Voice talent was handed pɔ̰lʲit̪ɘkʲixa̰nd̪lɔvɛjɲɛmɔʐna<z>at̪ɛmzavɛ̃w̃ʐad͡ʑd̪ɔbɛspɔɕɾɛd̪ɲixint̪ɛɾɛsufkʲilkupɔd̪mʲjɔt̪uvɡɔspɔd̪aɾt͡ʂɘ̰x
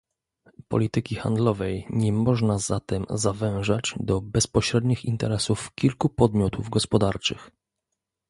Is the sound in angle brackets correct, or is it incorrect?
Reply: correct